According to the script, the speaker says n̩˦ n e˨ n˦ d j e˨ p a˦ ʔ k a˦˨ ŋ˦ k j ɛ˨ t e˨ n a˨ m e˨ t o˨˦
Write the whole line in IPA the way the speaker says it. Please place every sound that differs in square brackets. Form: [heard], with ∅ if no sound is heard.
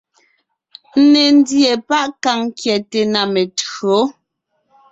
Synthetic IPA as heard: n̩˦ n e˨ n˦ d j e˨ p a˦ ʔ k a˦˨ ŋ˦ k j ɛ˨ t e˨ n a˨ m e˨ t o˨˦